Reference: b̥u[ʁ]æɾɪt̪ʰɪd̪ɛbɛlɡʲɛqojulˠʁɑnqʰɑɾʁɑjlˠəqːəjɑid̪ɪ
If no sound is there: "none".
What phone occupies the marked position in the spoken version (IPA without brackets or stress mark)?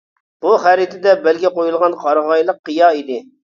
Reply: χ